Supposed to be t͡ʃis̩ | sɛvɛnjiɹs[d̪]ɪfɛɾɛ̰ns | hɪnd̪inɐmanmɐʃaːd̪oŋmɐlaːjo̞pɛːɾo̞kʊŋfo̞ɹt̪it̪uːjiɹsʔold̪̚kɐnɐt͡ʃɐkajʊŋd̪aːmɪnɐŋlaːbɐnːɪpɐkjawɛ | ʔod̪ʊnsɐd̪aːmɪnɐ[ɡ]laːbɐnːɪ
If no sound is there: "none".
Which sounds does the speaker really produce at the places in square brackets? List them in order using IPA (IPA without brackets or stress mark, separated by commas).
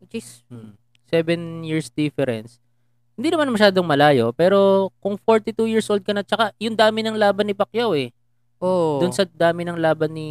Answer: d̪, ŋ